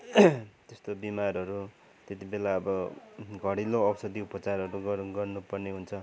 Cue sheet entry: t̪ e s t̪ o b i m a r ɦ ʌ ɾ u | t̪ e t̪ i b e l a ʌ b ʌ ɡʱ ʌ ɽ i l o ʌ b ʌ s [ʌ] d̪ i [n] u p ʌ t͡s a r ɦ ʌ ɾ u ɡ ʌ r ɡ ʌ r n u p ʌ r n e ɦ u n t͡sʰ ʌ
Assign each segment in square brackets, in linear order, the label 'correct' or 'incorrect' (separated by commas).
correct, incorrect